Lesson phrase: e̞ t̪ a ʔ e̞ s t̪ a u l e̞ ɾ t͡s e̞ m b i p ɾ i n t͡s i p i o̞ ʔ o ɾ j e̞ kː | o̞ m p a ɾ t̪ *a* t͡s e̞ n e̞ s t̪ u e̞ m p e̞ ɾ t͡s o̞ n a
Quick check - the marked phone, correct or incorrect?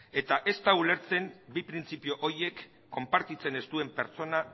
incorrect